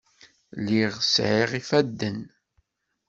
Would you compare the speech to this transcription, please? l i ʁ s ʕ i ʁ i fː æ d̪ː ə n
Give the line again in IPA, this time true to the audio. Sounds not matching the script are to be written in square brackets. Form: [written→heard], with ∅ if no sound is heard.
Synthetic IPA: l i ʁ s ʕ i ʁ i [fː→f] æ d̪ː ə n